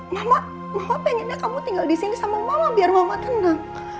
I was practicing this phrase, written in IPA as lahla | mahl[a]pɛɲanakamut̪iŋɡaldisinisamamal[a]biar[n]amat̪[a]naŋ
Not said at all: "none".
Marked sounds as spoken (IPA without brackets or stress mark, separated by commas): a, a, m, ə